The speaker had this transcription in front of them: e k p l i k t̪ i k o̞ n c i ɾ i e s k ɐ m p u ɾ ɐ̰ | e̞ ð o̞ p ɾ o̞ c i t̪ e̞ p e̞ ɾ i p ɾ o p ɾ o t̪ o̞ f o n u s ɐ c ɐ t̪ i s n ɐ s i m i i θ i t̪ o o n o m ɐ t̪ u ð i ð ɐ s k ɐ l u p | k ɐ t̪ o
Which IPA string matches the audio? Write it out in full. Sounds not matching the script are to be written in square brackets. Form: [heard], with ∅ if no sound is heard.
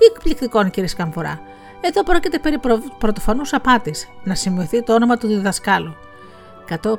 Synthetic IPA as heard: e k p l i k t̪ i k o̞ n c i ɾ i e s k ɐ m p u ɾ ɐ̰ | e̞ ð o̞ p ɾ o̞ c i t̪ e̞ p e̞ ɾ i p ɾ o p ɾ o t̪ o̞ f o n u s ɐ [p] ɐ t̪ i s n ɐ s i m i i θ i t̪ o o n o m ɐ t̪ u ð i ð ɐ s k ɐ l u [∅] | k ɐ t̪ o